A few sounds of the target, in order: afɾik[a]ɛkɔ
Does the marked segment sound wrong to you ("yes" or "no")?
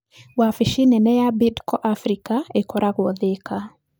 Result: no